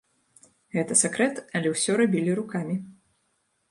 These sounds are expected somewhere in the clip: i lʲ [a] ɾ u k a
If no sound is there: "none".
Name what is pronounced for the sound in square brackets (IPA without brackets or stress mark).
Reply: i